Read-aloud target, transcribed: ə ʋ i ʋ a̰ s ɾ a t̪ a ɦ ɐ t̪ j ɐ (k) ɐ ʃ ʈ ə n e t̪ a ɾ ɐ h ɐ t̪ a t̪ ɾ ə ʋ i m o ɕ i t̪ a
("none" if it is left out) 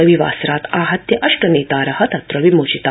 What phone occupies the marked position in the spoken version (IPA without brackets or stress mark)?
ʔ